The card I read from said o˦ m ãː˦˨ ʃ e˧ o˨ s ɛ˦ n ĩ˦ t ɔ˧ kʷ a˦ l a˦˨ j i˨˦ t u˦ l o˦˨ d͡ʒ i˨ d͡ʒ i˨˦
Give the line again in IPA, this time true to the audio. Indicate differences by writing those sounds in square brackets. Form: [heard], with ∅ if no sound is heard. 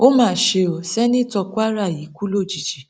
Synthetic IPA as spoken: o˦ m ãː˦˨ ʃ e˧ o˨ s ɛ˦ n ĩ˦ t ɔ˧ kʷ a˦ [ɾ] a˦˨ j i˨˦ [k] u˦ l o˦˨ d͡ʒ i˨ d͡ʒ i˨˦